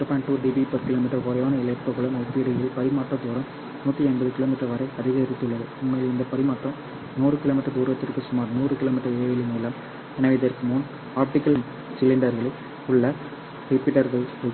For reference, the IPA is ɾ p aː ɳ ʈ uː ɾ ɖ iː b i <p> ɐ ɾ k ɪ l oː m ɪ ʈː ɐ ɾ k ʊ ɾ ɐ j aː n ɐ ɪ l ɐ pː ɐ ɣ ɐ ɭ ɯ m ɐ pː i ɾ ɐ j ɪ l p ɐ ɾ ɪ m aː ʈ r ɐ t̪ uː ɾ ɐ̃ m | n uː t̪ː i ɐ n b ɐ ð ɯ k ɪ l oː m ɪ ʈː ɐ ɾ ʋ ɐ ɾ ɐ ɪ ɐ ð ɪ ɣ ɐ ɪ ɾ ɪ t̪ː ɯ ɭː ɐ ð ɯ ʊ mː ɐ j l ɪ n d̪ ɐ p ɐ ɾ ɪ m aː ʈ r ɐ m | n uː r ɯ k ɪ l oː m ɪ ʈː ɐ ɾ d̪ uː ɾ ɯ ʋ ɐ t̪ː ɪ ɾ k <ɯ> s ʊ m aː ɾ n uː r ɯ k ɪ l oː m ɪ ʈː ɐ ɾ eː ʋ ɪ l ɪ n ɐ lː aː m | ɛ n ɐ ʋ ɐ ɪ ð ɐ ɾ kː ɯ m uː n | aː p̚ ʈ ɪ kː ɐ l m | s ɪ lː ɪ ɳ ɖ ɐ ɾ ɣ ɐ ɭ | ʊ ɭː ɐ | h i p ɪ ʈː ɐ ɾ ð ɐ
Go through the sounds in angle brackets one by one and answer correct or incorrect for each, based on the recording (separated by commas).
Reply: correct, correct